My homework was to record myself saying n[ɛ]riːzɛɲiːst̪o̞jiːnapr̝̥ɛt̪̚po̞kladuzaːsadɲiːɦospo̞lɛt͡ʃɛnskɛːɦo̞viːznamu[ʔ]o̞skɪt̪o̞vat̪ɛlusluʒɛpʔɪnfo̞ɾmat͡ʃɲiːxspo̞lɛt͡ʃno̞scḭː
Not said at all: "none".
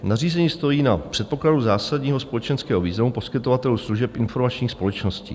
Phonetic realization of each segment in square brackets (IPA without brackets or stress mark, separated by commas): a, p